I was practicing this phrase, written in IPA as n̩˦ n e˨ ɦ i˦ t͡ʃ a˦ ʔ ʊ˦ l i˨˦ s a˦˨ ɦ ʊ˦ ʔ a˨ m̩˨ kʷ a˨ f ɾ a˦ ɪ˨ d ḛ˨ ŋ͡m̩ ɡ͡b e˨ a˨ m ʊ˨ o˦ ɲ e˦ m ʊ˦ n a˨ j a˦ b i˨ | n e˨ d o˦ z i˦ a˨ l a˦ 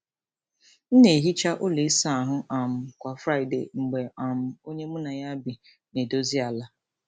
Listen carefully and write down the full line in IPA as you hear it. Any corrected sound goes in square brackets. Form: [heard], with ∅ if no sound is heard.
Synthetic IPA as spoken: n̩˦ n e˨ ɦ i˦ t͡ʃ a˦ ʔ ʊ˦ l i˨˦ s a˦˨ ɦ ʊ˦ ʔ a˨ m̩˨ kʷ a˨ f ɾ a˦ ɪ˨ d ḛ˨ ŋ͡m̩ ɡ͡b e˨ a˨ m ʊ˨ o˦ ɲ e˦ m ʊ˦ n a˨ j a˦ b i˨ | n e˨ d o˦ z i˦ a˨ l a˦